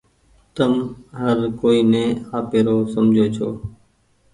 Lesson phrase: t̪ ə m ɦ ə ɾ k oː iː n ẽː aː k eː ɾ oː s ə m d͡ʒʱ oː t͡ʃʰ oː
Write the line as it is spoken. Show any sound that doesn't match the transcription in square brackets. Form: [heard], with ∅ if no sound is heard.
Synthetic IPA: t̪ ə m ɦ ə ɾ k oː iː n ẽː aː [p] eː ɾ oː s ə m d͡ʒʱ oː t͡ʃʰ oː